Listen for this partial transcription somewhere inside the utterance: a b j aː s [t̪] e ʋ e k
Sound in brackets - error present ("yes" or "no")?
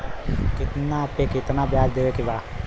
yes